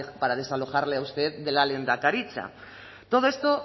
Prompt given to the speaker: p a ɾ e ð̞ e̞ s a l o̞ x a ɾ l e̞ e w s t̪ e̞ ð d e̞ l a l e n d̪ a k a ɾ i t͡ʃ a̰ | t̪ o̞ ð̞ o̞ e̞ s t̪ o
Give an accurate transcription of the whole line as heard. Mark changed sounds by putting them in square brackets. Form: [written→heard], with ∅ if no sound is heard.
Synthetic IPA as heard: p a ɾ [e→a] ð̞ e̞ s a l o̞ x a ɾ l e̞ [e→a] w s t̪ e̞ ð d e̞ l a l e n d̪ a k a ɾ i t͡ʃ a̰ | t̪ o̞ ð̞ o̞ e̞ s t̪ o

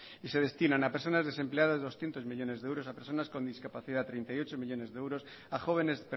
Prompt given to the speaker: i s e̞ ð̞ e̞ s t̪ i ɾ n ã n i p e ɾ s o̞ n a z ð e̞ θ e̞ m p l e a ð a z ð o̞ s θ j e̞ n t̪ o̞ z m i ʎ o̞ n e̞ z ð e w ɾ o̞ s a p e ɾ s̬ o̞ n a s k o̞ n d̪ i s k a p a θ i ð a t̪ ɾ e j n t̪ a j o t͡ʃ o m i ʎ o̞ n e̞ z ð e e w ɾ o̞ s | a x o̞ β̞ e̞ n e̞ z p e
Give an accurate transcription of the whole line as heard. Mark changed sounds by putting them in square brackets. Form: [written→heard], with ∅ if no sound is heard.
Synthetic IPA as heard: i s e̞ ð̞ e̞ s t̪ i [ɾ→∅] n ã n [i→a] p e ɾ s o̞ n a z ð e̞ [θ→s] e̞ m p l e a ð a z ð o̞ s θ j e̞ n t̪ o̞ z m i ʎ o̞ n e̞ z ð e w ɾ o̞ s a p e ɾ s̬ o̞ n a s k o̞ n d̪ i s k a p a θ i ð a t̪ ɾ e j n t̪ a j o t͡ʃ o m i ʎ o̞ n e̞ z ð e e w ɾ o̞ s | a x o̞ β̞ e̞ n e̞ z p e

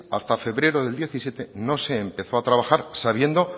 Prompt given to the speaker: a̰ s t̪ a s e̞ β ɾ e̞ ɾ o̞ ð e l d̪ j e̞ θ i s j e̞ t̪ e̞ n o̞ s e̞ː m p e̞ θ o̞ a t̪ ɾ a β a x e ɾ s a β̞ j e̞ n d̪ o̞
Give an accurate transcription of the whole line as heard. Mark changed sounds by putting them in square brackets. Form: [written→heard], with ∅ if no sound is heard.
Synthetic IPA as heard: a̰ s t̪ a [s→f] e̞ β ɾ e̞ ɾ o̞ ð e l d̪ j e̞ θ i s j e̞ t̪ e̞ n o̞ s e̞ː m p e̞ θ o̞ a t̪ ɾ a β a x [e→a] ɾ s a β̞ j e̞ n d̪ o̞

